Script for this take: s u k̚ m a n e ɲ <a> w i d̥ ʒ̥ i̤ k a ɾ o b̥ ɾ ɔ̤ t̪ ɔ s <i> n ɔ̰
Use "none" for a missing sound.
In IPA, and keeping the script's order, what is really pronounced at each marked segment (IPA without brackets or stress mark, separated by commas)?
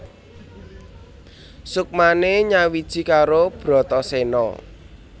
a, e